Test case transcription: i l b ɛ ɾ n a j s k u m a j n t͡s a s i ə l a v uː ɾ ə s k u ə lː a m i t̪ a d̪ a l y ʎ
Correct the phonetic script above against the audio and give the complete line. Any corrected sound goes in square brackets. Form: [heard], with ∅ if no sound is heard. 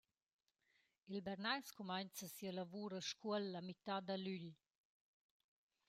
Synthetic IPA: i l b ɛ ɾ n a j s k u m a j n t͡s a s i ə l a v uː ɾ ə [ʃ] k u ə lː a m i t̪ a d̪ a l y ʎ